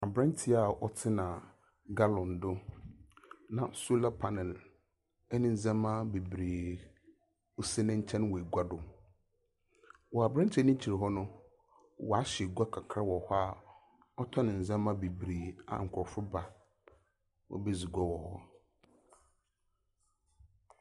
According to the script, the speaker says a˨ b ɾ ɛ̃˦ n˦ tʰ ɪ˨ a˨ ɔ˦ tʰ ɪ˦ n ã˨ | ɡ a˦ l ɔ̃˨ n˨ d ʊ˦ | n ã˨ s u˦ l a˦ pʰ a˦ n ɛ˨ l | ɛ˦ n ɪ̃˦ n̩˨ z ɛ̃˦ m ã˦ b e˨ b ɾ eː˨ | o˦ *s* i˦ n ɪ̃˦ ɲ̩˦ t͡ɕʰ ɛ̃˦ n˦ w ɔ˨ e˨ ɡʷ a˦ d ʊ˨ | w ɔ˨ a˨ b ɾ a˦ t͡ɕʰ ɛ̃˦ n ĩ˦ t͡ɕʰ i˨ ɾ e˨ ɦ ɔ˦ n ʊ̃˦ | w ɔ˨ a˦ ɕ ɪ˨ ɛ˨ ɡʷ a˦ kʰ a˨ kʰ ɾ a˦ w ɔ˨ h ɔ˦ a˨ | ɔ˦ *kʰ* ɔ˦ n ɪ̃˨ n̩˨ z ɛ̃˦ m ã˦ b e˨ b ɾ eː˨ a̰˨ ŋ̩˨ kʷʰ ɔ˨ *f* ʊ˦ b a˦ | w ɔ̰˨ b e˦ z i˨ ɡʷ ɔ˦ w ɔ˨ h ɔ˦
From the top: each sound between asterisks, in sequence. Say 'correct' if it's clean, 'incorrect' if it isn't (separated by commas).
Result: correct, incorrect, correct